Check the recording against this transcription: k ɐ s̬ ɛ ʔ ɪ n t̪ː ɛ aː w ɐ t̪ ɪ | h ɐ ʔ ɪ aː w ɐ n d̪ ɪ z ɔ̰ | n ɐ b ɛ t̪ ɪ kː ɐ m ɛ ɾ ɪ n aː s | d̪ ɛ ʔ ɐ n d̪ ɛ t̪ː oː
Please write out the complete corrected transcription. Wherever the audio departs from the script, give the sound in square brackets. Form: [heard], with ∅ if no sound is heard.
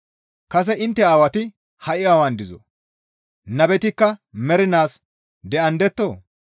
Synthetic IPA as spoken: k ɐ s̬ ɛ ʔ ɪ n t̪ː ɛ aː w ɐ t̪ ɪ | h ɐ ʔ ɪ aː w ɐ n d̪ ɪ z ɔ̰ | n ɐ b ɛ t̪ ɪ kː ɐ m ɛ ɾ ɪ n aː s | d̪ ɛ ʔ ɐ n d̪ ɛ t̪ː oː